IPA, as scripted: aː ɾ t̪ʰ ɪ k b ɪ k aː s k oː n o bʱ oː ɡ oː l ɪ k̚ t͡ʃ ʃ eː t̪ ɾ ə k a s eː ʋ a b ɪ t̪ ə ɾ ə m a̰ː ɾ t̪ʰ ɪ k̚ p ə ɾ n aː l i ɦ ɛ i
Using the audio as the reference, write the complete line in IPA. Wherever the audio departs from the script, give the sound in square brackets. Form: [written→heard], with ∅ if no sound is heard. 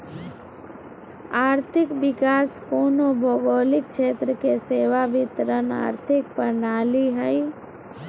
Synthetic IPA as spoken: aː ɾ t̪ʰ ɪ k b ɪ k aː s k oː n o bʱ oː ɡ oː l ɪ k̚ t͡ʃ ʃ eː t̪ ɾ ə k [a→e] s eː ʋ a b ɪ t̪ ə ɾ ə [m→n] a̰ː ɾ t̪ʰ ɪ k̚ p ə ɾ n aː l i ɦ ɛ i